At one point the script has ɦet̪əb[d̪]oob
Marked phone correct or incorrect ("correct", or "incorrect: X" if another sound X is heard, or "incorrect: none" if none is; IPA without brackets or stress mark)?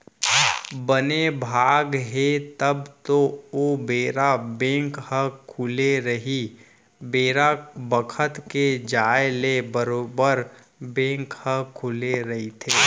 incorrect: t̪